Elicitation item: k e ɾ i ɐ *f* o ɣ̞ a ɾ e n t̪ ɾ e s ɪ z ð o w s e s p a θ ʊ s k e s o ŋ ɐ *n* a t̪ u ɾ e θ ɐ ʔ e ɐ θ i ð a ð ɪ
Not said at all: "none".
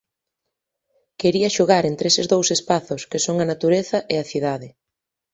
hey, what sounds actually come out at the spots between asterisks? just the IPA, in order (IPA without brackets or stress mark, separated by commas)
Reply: ʃ, n